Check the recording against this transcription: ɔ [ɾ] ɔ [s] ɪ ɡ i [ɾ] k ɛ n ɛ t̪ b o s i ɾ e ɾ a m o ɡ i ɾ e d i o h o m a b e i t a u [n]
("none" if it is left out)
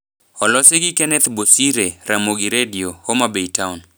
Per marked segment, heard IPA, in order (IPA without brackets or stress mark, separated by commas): l, s, none, n